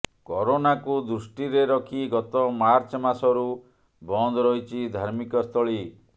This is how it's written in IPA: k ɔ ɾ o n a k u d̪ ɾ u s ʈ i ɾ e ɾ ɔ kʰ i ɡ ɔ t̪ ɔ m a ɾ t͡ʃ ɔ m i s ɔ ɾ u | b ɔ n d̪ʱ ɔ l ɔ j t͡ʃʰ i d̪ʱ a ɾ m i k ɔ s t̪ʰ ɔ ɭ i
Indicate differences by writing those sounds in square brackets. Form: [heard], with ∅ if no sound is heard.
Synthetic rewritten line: k ɔ ɾ o n a k u d̪ ɾ u s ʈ i ɾ e ɾ ɔ kʰ i ɡ ɔ t̪ ɔ m a ɾ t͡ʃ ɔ m [a] s ɔ ɾ u | b ɔ n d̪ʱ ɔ [ɾ] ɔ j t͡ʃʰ i d̪ʱ a ɾ m i k ɔ s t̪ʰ ɔ ɭ i